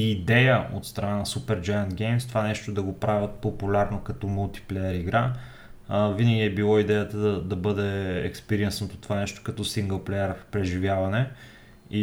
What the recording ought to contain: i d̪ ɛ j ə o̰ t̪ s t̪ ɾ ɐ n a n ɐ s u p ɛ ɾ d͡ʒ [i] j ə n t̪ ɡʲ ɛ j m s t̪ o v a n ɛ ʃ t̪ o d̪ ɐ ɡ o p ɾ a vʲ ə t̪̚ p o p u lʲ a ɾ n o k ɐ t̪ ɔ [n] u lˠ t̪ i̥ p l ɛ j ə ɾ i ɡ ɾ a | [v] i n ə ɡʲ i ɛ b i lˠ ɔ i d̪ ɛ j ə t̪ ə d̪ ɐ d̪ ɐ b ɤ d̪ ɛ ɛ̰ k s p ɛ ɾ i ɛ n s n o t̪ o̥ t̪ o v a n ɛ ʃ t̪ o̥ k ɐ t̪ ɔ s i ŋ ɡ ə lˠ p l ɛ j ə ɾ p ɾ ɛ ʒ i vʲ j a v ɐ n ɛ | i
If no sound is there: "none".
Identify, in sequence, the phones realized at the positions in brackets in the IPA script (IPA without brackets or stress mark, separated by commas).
a, m, v